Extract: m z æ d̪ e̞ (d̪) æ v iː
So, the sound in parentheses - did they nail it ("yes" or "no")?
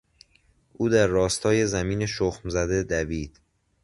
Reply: yes